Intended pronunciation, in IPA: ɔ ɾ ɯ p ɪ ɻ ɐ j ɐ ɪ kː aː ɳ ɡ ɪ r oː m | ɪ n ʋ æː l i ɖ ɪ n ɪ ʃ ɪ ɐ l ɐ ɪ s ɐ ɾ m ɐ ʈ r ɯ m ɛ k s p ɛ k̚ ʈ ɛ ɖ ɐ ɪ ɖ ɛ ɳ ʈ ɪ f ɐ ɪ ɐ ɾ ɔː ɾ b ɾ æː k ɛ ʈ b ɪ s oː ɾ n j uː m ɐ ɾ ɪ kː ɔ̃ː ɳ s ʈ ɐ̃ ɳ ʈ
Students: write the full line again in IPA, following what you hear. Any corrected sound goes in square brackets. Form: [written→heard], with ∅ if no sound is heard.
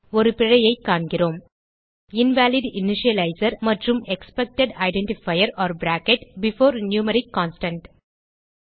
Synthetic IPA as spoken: ɔ ɾ ɯ p ɪ ɻ ɐ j ɐ ɪ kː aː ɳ ɡ ɪ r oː m | ɪ n ʋ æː l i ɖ ɪ n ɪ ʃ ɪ ɐ l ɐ ɪ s ɐ ɾ m ɐ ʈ r ɯ m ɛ k s p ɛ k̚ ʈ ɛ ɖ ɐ ɪ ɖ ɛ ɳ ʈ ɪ f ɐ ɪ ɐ ɾ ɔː ɾ b ɾ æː k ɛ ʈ b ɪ [s→f] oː ɾ n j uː m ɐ ɾ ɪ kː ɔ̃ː [ɳ→n] s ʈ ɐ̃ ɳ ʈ